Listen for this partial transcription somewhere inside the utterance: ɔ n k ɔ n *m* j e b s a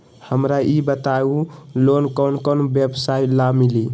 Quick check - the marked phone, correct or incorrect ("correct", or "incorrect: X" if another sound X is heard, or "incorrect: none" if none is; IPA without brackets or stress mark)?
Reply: incorrect: b